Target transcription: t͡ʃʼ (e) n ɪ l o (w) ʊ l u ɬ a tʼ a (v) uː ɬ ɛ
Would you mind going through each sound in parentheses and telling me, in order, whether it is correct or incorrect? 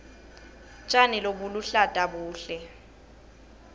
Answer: incorrect, incorrect, incorrect

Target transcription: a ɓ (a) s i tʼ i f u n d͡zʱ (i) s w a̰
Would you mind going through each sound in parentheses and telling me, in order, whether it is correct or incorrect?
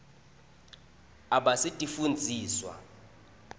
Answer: correct, incorrect

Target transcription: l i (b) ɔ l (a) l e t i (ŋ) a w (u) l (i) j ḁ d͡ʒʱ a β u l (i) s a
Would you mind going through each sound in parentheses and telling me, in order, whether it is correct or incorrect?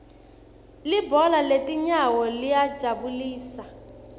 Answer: correct, correct, incorrect, incorrect, correct, incorrect

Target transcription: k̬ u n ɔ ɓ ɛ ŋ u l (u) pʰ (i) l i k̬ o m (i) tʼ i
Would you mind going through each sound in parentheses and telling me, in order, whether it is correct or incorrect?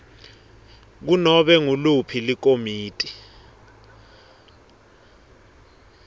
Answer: correct, correct, incorrect

